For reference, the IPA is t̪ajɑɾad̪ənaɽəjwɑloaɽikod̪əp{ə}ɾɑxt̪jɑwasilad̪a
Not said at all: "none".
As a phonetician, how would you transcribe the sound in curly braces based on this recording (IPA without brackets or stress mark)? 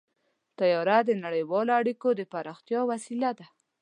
a